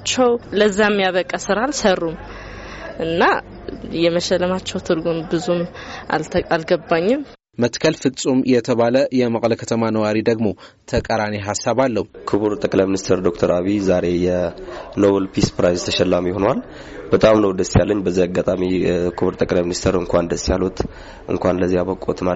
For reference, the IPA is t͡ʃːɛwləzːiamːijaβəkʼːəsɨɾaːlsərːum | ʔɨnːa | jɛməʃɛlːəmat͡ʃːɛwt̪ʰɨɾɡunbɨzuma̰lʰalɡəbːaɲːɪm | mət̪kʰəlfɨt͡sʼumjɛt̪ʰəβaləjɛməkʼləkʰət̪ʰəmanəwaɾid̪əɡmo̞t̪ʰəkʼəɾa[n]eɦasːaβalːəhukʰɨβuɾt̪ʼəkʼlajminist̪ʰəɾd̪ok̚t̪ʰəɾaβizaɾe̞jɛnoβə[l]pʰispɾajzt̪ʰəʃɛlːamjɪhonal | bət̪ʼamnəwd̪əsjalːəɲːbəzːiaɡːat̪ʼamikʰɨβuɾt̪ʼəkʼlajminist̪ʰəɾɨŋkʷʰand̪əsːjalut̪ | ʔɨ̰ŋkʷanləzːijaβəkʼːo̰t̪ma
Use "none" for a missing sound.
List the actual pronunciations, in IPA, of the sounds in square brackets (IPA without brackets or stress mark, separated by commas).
n, l